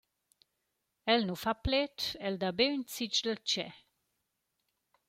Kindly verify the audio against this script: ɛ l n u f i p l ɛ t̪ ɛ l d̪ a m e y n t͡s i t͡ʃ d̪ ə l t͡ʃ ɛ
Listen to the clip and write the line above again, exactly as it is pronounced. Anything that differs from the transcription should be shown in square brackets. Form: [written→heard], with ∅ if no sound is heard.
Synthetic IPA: ɛ l n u f [i→a] p l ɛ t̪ ɛ l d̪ a [m→b] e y n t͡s i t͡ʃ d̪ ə l t͡ʃ ɛ